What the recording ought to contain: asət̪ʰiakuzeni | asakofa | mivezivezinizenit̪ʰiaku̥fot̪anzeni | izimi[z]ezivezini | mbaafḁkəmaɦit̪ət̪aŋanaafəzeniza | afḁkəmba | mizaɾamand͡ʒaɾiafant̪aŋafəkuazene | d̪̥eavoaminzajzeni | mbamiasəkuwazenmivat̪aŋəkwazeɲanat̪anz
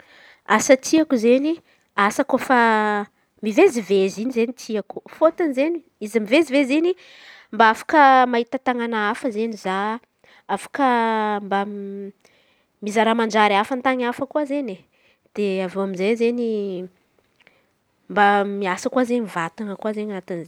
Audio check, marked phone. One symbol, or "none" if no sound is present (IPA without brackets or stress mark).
v